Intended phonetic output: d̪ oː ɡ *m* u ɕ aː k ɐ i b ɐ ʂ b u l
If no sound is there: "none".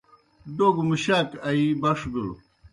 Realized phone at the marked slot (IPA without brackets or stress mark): m